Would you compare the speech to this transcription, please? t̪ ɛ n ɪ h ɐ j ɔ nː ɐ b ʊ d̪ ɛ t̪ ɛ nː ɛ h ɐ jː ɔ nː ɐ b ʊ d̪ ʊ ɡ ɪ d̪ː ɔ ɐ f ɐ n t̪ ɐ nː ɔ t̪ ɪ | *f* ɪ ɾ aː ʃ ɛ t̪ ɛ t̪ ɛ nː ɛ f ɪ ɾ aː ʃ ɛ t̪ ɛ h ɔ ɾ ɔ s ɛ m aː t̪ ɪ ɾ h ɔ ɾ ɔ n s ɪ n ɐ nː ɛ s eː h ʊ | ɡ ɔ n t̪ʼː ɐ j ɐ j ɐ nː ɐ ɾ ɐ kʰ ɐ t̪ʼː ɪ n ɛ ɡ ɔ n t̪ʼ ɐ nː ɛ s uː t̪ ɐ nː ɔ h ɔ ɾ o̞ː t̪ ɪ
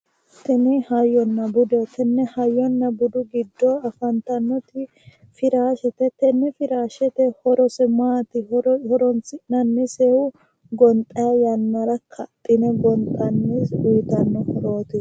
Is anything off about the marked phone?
no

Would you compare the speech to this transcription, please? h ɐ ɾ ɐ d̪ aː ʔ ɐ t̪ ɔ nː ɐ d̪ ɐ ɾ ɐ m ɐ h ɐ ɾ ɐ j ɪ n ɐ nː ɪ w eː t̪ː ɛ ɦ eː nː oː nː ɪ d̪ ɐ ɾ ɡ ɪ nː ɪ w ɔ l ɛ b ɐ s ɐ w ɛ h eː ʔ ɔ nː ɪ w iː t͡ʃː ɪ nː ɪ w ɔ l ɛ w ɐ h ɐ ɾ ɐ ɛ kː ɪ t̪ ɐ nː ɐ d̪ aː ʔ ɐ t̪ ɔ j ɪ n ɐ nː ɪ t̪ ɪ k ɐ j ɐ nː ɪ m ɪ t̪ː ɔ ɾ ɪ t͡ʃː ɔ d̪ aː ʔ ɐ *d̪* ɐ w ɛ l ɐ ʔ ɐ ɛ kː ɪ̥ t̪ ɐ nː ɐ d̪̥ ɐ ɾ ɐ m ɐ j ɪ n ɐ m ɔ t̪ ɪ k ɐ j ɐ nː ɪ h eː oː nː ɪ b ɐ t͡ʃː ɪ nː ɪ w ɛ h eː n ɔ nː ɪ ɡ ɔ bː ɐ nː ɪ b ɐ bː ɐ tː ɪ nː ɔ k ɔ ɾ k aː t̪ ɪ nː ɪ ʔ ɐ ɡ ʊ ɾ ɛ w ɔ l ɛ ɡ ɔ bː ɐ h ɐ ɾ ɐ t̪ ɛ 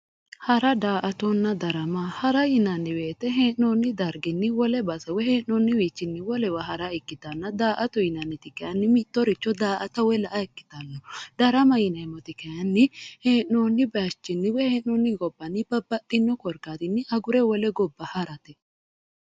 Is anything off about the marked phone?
yes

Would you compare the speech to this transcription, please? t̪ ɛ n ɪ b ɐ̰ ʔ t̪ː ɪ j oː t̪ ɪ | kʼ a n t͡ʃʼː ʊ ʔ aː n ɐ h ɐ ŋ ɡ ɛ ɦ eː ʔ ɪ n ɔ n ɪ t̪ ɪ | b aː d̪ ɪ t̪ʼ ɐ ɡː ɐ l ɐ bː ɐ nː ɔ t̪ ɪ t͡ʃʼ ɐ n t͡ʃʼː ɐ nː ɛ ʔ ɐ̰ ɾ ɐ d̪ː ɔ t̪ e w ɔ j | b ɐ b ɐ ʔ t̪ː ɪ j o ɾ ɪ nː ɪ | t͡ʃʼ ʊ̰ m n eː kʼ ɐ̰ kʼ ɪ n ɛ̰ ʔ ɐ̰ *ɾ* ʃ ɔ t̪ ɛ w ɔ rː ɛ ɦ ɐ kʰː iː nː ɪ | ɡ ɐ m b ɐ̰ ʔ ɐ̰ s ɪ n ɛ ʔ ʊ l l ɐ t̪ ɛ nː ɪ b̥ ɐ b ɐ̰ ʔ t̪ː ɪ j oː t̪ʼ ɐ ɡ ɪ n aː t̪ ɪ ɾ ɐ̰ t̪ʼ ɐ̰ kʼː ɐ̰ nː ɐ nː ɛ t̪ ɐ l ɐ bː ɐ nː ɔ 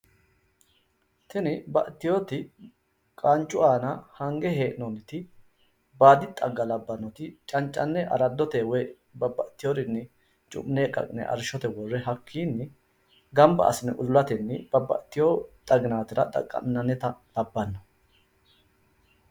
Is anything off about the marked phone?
no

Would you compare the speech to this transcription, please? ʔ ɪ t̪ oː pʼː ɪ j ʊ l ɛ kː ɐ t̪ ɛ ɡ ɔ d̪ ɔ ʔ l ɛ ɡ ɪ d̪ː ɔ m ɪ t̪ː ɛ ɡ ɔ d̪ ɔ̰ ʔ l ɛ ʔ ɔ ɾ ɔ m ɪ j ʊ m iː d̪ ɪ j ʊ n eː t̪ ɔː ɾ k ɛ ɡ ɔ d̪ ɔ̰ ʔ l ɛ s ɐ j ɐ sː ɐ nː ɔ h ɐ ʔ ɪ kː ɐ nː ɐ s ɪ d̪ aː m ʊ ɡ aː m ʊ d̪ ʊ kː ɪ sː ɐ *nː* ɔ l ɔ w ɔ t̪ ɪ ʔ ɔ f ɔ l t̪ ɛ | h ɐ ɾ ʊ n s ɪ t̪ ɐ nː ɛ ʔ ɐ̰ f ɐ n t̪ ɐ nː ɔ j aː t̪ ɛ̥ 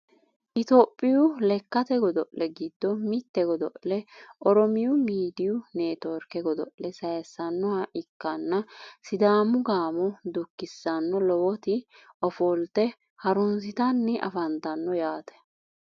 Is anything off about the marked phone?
no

